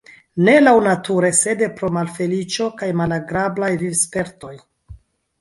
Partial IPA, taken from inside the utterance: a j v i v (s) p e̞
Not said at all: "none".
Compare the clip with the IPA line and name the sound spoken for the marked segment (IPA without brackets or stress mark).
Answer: s